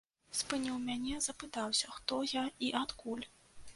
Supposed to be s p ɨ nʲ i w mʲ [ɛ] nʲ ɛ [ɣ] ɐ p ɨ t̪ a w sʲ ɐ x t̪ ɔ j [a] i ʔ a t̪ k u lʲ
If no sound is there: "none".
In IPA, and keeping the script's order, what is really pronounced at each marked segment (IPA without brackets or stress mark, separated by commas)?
a, z, a